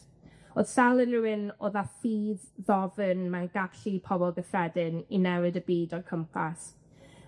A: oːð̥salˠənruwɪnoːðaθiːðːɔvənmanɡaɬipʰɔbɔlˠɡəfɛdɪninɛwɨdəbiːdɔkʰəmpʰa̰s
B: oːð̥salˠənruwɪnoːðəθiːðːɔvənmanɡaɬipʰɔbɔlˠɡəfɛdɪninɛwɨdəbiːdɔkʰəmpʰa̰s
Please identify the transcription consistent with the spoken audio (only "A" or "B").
A